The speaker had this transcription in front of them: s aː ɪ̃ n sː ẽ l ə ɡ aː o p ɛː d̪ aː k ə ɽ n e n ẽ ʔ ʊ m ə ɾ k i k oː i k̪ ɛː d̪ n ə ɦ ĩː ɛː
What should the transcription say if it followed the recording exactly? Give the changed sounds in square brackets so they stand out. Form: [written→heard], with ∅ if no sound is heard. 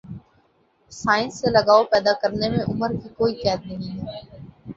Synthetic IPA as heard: s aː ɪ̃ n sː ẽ l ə ɡ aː o p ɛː d̪ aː k ə [ɽ→ɾ] n e [n→m] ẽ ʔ ʊ m ə ɾ k i k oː i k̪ ɛː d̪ n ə ɦ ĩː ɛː